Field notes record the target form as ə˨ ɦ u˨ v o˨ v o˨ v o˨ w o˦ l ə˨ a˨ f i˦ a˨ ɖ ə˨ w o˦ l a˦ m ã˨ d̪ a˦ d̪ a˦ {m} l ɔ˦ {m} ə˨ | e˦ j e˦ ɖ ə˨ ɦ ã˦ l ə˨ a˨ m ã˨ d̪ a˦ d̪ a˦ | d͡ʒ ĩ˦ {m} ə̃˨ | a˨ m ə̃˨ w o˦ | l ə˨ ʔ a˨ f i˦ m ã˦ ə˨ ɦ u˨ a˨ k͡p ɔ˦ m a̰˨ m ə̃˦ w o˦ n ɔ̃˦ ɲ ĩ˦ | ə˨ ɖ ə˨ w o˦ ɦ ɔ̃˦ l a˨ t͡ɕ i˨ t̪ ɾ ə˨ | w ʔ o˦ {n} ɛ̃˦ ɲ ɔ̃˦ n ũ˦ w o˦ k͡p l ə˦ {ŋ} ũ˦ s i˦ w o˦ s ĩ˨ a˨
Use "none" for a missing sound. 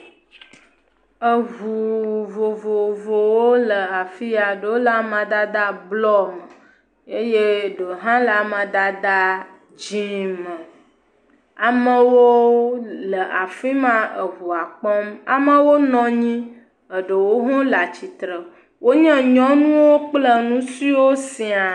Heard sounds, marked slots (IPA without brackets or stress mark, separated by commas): b, m, m, ɲ, n